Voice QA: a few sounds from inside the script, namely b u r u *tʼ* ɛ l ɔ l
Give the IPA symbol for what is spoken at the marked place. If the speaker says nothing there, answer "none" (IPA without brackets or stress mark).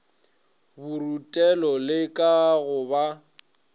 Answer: tʼ